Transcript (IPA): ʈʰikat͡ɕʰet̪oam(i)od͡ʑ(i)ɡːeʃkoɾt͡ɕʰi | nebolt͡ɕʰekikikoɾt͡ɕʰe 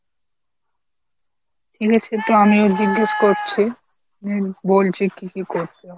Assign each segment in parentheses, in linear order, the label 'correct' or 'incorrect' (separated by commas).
correct, correct